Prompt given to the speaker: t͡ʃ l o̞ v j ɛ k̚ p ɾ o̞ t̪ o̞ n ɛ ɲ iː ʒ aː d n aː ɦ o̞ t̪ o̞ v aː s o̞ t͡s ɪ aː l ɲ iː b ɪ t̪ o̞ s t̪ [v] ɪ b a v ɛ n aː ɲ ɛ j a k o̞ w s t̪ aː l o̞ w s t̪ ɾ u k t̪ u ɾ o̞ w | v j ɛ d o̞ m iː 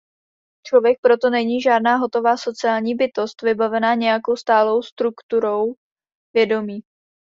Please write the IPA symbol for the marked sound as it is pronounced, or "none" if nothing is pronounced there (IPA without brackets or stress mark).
v